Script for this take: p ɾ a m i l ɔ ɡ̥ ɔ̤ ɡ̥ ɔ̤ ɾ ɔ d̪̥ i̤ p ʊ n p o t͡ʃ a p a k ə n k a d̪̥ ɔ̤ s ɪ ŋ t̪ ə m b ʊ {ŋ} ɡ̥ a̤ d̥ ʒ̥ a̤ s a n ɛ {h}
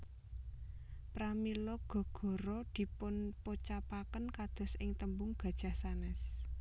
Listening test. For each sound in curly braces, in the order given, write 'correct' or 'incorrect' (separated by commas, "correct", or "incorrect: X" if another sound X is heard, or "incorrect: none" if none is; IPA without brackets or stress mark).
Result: correct, incorrect: s